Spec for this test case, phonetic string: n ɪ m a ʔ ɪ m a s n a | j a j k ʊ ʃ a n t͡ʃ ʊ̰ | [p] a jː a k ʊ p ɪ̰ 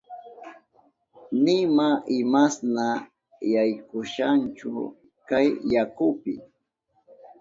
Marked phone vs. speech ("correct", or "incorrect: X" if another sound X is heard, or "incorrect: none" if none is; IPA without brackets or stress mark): incorrect: k